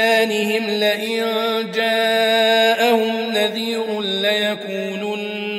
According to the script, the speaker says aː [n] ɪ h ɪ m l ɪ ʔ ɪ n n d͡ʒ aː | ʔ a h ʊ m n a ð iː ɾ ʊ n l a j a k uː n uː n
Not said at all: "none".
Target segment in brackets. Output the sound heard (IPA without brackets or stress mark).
n